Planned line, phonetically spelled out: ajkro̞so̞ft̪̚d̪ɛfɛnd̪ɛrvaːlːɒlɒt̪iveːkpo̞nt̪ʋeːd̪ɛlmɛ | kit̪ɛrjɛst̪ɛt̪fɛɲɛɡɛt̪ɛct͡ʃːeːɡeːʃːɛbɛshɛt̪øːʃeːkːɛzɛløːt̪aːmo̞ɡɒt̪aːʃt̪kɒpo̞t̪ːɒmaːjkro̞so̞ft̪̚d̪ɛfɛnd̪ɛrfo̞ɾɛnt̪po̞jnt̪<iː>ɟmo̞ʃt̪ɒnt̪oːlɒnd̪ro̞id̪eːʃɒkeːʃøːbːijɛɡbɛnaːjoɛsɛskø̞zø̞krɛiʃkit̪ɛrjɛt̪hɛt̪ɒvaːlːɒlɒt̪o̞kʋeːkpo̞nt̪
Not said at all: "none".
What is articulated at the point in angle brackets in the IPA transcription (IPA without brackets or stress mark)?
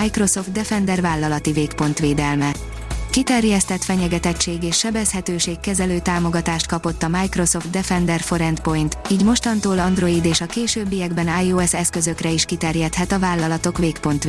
iː